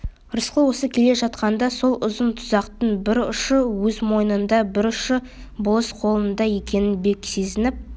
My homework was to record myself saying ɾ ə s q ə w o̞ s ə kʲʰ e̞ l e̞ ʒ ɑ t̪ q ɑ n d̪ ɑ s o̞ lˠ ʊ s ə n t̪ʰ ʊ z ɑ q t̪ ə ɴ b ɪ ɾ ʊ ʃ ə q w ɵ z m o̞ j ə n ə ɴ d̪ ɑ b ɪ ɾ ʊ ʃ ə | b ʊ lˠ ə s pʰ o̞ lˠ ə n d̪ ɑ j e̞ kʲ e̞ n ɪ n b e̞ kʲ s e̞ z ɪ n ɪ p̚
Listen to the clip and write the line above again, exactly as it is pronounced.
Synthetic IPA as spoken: ɾ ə s q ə w o̞ s ə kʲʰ e̞ l e̞ ʒ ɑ t̪ q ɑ n d̪ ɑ s o̞ lˠ ʊ z ə n t̪ʰ ʊ z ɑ q t̪ ə ɴ b ɪ ɾ ʊ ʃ ə w ɵ z m o̞ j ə n ə n d̪ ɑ b ɪ ɾ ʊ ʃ ə | b ʊ lˠ ə s qʰ o̞ lˠ ə n d̪ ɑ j e̞ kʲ e̞ n ɪ n b e̞ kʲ s e̞ z ɪ n ɪ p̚